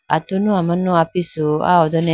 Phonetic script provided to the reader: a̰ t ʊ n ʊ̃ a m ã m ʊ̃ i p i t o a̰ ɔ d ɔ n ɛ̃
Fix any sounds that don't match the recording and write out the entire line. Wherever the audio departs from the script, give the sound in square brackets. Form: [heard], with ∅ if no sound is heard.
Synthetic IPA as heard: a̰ t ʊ n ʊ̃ a m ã [n] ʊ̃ [a] p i [s] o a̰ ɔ d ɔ n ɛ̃